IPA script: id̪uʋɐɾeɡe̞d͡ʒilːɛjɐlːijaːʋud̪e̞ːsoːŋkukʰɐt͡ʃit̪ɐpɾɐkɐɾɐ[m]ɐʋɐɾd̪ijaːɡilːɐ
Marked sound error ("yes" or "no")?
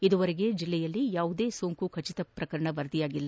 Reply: yes